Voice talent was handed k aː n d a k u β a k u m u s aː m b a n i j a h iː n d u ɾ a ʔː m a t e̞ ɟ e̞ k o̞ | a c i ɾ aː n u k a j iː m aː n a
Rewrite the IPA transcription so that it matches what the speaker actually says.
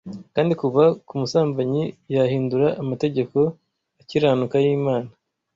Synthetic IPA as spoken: k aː n d i k u β a k u m u s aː m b a ɲ i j a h iː n d u ɾ a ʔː m a t e̞ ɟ e̞ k o̞ | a c i ɾ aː n u k a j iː m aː n a

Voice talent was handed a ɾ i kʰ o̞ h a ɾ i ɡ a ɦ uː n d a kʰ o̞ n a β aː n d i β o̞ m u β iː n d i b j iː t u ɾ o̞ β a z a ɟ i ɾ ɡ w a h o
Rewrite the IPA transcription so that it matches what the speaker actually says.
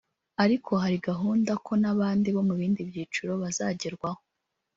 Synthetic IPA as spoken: a ɾ i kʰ o̞ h a ɾ i ɡ a ɦ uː n d a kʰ o̞ n a β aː n d i β o̞ m u β iː n d i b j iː t͡ʃ u ɾ o̞ β a z a ɟ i ɾ ɡ w a h o

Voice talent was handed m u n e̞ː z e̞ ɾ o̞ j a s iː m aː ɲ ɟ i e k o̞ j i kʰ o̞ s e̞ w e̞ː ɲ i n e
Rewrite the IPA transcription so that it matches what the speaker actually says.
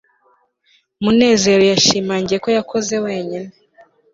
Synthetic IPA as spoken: m u n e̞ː z e̞ ɾ o̞ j a ʃ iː m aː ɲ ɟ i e k o̞ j a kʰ o̞ z e̞ w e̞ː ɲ i n e

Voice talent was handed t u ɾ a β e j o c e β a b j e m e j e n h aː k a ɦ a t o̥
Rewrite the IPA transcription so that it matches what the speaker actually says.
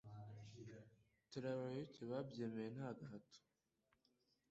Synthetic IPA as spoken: t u ɾ a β a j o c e β a b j e m e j e n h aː ɡ a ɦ a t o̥

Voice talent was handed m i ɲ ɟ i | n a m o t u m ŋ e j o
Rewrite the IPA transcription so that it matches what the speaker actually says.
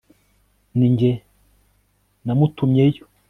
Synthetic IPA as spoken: n i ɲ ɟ e | n a m u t u m ɲ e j o

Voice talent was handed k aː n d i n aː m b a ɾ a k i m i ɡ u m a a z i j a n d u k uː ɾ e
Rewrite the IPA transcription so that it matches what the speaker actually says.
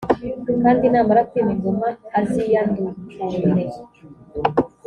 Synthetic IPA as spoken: k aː n d i n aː m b a ɾ a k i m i ɡ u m a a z i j a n d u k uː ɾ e

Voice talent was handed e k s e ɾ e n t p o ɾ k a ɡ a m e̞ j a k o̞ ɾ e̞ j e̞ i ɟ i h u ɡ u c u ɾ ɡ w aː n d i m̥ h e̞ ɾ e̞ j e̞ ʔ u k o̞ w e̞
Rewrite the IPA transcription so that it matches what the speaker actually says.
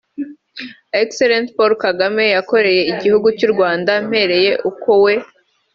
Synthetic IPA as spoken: e k s e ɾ e n t p o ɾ k a ɡ a m e̞ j a k o̞ ɾ e̞ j e̞ i ɟ i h u ɡ u c u ɾ ɡ w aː n d a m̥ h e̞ ɾ e̞ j e̞ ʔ u k o̞ w e̞

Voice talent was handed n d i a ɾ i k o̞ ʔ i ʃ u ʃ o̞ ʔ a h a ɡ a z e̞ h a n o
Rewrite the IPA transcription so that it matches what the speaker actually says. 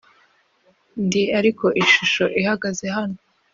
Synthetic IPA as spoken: n d i a ɾ i k o̞ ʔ i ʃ u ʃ o̞ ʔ i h a ɡ a z e̞ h a n o

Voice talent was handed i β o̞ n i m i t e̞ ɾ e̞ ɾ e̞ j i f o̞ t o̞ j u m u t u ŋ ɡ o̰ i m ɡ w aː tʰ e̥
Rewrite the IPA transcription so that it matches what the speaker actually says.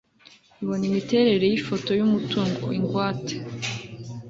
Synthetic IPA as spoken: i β o̞ n i m i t e̞ ɾ e̞ ɾ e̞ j i f o̞ t o̞ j u m u t u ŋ ɡ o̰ i ŋ ɡ w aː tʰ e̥

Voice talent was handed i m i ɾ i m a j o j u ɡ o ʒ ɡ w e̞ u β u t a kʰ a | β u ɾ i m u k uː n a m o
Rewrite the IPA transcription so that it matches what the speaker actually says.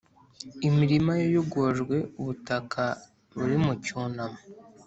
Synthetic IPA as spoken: i m i ɾ i m a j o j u ɡ o ʒ ɡ w e̞ u β u t a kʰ a | β u ɾ i m u c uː n a m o

